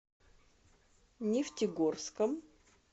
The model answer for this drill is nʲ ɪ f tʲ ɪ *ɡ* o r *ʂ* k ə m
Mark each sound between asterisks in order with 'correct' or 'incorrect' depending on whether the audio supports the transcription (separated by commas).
correct, incorrect